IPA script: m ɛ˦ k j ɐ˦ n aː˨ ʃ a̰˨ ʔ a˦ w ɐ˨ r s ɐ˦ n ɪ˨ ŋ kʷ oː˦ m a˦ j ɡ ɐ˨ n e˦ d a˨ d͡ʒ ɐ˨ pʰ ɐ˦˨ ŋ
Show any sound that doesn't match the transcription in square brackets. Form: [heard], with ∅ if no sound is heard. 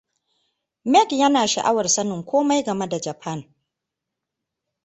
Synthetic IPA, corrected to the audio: m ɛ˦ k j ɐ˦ n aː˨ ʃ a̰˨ ʔ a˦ w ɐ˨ r s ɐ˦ n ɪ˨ ŋ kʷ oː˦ m a˦ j ɡ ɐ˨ [m] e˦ d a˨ d͡ʒ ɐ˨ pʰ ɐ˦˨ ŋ